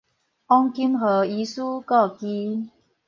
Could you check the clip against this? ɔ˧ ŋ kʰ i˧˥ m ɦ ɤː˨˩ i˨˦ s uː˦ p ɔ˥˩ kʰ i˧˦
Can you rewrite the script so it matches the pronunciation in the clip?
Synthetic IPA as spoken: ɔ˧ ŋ k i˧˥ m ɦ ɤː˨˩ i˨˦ s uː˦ k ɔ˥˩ k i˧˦